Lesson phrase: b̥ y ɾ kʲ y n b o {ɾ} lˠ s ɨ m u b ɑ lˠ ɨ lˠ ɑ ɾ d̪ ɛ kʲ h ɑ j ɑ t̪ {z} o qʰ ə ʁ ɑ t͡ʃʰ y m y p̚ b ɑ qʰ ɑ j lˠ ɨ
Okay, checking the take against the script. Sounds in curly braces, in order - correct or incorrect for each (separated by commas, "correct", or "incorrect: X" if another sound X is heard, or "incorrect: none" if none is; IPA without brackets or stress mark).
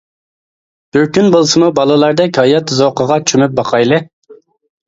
incorrect: none, correct